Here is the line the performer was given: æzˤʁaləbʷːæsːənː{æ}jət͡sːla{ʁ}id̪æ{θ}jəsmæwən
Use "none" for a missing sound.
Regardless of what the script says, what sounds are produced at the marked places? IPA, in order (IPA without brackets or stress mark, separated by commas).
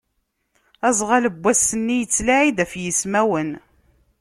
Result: i, ʕ, f